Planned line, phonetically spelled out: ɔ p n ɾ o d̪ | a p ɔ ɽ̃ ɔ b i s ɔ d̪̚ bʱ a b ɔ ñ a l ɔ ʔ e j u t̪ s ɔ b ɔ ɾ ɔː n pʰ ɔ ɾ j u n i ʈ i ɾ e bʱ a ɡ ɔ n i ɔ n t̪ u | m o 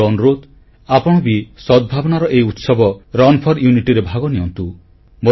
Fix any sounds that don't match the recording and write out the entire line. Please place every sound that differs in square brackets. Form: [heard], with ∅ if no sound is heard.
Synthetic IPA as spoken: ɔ [∅] n ɾ o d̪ | a p ɔ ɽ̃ ɔ b i s ɔ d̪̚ bʱ a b ɔ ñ a [ɾ] ɔ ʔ e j u t̪ s ɔ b ɔ ɾ [ɔ] n pʰ ɔ ɾ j u n i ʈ i ɾ e bʱ a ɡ ɔ n i ɔ n t̪ u | m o